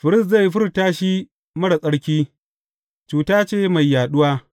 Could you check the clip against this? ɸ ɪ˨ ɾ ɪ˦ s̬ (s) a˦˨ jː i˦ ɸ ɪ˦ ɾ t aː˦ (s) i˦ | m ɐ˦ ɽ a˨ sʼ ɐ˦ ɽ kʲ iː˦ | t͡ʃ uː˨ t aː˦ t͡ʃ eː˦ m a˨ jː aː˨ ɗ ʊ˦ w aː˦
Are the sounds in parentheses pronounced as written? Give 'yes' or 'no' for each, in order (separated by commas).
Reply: no, no